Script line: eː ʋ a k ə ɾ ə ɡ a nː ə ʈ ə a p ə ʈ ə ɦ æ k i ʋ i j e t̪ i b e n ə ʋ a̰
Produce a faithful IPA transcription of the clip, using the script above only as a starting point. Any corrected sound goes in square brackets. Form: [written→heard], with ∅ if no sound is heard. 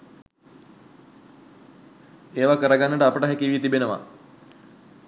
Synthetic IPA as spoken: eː ʋ a k ə ɾ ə ɡ a nː ə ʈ ə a p ə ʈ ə ɦ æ k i ʋ i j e t̪ i b e n ə ʋ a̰